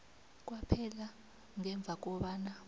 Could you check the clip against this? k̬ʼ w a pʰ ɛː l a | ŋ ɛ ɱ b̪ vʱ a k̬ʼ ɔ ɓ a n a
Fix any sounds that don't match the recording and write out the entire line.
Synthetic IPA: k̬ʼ w a pʰ ɛ l a | ŋ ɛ ɱ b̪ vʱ a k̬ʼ ɔ ɓ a n a